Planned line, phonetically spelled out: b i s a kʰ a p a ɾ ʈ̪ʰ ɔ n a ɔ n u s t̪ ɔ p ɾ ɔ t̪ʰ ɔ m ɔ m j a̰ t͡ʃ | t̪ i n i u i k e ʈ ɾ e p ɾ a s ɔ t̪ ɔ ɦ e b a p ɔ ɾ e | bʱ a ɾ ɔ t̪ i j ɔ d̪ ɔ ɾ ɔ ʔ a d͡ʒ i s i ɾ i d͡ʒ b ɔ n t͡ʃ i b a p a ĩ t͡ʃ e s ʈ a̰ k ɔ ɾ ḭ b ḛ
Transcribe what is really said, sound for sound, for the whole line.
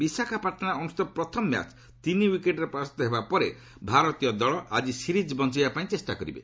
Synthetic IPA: b i s a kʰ a p a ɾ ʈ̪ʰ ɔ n a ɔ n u s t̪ ɔ p ɾ ɔ t̪ʰ ɔ m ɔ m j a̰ t͡ʃ | t̪ i n i w i k e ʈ ɾ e p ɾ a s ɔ t̪ ɔ ɦ e b a p ɔ ɾ e | bʱ a ɾ ɔ t̪ i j ɔ d̪ ɔ ɭ ɔ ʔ a d͡ʒ i s i ɾ i d͡ʒ b ɔ n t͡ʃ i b a p a ĩ t͡ʃ e s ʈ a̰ k ɔ ɾ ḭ b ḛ